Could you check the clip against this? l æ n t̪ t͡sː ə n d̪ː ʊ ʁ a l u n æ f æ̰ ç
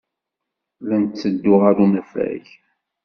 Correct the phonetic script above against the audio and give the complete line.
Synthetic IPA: l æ n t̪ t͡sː ə d̪ː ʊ ʁ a ɾ u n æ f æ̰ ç